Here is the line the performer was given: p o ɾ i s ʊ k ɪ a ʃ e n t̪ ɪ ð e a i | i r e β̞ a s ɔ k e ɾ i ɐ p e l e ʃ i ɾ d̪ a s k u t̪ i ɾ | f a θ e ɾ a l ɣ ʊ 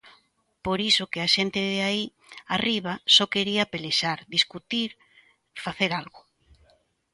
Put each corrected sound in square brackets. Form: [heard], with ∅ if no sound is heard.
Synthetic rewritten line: p o ɾ i s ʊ k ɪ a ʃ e n t̪ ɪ ð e a i | [a] r [i] β̞ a s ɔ k e ɾ i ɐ p e l e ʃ [a] ɾ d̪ [i] s k u t̪ i ɾ | f a θ e ɾ a l ɣ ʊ

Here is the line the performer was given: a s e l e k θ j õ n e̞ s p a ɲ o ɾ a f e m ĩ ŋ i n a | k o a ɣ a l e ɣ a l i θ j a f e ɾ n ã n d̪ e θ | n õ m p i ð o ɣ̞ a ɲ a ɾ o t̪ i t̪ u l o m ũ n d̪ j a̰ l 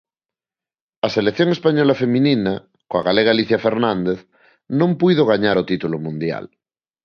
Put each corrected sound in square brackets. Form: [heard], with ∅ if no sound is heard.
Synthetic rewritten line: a s e l e k θ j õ [ŋ] e̞ s p a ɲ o [l] a f e m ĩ [n] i n a | k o a ɣ a l e ɣ a l i θ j a f e ɾ n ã n d̪ e θ | n õ m p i ð o ɣ̞ a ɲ a ɾ o t̪ i t̪ u l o m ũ n d̪ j a̰ l

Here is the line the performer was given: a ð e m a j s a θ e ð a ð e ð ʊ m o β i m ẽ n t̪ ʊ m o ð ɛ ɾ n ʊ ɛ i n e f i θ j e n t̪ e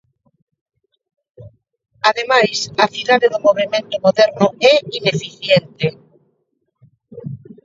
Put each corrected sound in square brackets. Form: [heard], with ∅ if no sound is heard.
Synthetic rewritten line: a ð e m a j s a θ [i] ð a ð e ð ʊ m o β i m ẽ n t̪ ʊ m o ð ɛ ɾ n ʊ ɛ i n e f i θ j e n t̪ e

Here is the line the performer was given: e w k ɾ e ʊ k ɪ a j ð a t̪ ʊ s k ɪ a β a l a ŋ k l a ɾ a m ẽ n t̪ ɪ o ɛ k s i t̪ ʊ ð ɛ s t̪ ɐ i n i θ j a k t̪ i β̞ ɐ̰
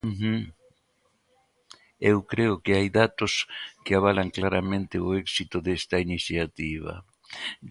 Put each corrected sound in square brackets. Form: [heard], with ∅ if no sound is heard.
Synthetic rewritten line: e w k ɾ e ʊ k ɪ a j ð a t̪ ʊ s k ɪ a β a l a ŋ k l a ɾ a m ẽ n t̪ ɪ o ɛ k s i t̪ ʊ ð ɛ s t̪ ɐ i n i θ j a [∅] t̪ i β̞ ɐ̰

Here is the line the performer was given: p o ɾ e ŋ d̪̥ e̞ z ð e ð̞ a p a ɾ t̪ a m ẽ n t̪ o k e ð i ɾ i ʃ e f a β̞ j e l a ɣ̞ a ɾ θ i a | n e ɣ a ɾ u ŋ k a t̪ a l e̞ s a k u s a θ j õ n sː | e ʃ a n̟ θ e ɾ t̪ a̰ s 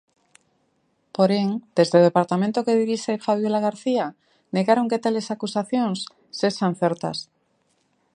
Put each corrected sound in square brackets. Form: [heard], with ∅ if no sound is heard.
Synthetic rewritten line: p o ɾ e ŋ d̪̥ e̞ z ð e ð̞ [e] p a ɾ t̪ a m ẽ n t̪ o k e ð i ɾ i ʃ e f a β̞ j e l a ɣ̞ a ɾ θ i a | n e ɣ a ɾ [o] ŋ k [e] t̪ a l e̞ s a k u s a θ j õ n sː | e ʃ a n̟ θ e ɾ t̪ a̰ s

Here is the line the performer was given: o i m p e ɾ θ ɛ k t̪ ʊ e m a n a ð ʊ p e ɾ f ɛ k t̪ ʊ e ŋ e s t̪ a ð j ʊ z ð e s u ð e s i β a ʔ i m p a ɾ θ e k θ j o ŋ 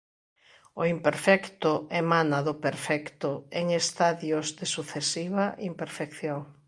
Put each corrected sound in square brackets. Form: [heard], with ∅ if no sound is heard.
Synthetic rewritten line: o i m p e ɾ [f] ɛ k t̪ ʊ e m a n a ð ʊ p e ɾ f ɛ k t̪ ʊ e ŋ e s t̪ a ð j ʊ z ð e s u [θ] e s i β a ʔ i m p [e] ɾ [f] e k θ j o ŋ

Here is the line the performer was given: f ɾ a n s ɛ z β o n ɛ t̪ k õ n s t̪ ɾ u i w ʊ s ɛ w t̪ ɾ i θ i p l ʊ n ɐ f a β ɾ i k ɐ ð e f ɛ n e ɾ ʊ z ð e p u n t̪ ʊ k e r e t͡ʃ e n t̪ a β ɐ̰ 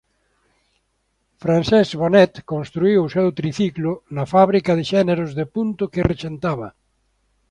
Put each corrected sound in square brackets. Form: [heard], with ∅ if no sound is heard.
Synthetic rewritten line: f ɾ a n s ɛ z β o n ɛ t̪ k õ n s t̪ ɾ u i w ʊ s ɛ w t̪ ɾ i θ i [k] l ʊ n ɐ f a β ɾ i k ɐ ð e [ʃ] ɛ n e ɾ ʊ z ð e p u n t̪ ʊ k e r e t͡ʃ e n t̪ a β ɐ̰

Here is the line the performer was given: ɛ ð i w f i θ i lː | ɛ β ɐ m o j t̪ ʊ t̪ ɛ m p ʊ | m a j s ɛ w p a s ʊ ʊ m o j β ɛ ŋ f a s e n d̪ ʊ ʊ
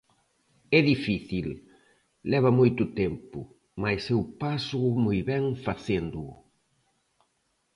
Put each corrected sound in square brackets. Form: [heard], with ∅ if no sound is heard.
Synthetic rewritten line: ɛ ð i [∅] f i θ i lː | ɛ β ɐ m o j t̪ ʊ t̪ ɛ m p ʊ | m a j s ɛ w p a s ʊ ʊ m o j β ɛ ŋ f a [θ] e n d̪ ʊ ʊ

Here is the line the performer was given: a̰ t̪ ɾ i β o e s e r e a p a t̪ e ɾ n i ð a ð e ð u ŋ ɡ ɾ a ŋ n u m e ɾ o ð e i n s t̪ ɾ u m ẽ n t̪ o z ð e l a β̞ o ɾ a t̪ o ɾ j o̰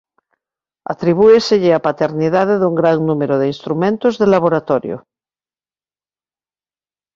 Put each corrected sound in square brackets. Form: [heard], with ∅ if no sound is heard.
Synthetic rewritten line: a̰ t̪ ɾ i β [u] e s e [ʎ] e a p a t̪ e ɾ n i ð a ð e ð u ŋ ɡ ɾ a ŋ n u m e ɾ o ð e i n s t̪ ɾ u m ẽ n t̪ o z ð e l a β̞ o ɾ a t̪ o ɾ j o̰

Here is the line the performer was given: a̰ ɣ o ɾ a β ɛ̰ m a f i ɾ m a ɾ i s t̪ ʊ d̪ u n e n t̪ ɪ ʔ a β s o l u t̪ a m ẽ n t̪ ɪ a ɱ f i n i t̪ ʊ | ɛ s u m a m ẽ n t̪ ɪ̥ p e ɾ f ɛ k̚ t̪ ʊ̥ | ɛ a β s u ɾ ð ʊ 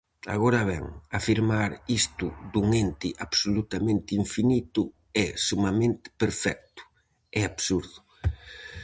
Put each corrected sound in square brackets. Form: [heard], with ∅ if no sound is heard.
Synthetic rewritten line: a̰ ɣ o ɾ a β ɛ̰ [ŋ] a f i ɾ m a ɾ i s t̪ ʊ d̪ u [ŋ] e n t̪ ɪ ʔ a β s o l u t̪ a m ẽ n t̪ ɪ [i] ɱ f i n i t̪ ʊ | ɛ s u m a m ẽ n t̪ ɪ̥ p e ɾ f ɛ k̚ t̪ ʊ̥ | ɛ a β s u ɾ ð ʊ

